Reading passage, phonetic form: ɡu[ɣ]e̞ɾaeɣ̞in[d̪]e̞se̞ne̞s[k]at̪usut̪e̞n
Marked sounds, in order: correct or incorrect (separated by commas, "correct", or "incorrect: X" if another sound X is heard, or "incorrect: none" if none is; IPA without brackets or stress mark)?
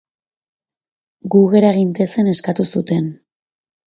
correct, incorrect: t̪, correct